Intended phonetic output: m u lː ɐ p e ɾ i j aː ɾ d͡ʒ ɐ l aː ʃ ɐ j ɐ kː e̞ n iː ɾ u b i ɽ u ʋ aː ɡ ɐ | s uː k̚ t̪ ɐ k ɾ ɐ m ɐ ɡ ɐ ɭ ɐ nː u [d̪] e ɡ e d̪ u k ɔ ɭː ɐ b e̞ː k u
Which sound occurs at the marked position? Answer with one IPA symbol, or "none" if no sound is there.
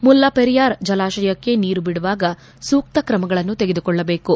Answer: t̪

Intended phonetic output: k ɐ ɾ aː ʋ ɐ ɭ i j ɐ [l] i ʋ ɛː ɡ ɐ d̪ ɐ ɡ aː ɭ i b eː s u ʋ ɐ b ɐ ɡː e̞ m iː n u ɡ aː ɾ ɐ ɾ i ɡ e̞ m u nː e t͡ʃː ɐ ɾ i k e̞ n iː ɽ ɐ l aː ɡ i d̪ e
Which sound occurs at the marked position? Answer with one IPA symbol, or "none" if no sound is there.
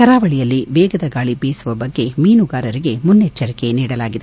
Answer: lː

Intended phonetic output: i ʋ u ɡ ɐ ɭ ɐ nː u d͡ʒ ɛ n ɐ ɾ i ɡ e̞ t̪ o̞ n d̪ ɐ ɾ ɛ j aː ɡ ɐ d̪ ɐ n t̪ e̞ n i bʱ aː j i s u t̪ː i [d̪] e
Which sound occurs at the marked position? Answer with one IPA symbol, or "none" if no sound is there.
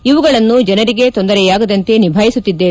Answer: d̪ː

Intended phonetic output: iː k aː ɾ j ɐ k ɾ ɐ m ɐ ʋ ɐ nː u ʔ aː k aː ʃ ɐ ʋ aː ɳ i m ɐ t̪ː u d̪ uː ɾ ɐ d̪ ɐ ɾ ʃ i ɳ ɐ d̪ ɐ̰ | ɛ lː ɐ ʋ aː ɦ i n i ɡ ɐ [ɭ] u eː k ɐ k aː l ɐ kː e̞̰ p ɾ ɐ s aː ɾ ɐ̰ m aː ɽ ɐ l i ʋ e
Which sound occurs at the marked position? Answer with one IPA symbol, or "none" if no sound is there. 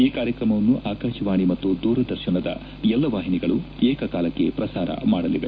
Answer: ɭ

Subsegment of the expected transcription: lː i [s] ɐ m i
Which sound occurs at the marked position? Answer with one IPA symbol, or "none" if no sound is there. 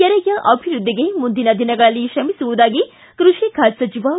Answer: ʃ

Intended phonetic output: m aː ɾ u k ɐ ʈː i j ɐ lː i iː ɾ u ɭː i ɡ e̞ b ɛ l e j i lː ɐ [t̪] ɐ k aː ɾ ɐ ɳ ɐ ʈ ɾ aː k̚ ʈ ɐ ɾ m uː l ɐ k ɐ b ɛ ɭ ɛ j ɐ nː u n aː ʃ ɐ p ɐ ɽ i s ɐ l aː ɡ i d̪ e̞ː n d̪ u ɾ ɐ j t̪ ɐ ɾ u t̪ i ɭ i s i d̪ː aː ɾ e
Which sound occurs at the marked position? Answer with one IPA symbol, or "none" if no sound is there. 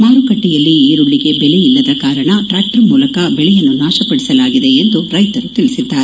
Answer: d̪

